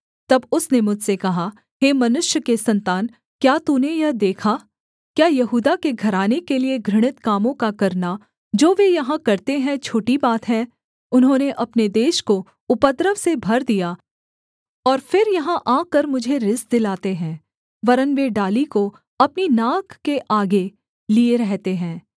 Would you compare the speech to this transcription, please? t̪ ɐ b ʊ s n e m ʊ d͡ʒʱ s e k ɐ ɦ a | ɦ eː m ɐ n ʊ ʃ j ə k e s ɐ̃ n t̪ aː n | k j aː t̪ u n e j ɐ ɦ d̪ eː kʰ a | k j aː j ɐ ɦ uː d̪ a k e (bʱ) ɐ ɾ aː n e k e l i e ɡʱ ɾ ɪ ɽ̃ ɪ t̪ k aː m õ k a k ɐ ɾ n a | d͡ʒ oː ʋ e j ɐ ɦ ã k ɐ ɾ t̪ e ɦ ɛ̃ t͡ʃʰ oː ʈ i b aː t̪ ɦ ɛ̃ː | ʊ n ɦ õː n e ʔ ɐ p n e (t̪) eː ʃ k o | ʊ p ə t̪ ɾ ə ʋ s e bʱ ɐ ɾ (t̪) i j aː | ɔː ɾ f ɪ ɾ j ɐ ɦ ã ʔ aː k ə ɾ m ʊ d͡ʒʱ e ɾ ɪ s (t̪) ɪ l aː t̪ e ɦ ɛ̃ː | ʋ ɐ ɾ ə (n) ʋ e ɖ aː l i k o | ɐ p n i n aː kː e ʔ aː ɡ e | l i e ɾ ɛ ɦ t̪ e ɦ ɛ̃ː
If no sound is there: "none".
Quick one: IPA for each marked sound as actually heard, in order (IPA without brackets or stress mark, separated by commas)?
ɡʱ, d̪, d̪, d̪, n